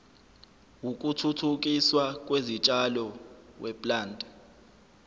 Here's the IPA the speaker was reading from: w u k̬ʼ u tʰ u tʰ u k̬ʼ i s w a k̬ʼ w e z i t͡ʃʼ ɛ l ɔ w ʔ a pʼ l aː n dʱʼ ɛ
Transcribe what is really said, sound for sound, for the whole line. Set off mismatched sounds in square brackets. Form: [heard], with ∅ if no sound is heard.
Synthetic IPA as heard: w u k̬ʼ u tʰ u tʰ u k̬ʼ i s w a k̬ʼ w e z i t͡ʃʼ [a] l ɔ w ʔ [ɛ] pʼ l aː n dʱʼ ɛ